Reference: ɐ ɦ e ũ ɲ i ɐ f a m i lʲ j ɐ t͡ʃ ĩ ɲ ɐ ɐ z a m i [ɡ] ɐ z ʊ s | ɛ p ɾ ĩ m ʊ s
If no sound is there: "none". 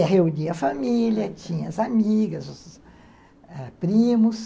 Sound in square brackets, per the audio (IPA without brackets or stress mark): ɡ